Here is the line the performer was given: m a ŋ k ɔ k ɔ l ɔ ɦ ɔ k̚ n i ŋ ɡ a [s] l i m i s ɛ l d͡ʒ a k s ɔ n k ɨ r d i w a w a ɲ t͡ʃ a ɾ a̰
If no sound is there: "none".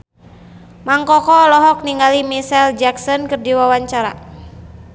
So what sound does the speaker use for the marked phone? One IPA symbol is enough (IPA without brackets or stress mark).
none